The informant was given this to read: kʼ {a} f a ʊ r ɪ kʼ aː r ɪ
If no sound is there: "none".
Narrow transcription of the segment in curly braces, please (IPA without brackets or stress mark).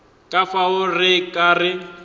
a